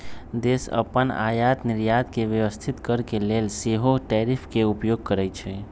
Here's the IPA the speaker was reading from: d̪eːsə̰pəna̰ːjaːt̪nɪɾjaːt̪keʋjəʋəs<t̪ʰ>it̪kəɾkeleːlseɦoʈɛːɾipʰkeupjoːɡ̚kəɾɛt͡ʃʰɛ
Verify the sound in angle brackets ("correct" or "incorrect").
correct